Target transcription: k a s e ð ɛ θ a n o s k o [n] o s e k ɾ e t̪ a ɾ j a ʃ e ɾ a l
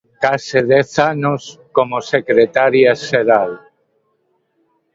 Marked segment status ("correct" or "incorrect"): incorrect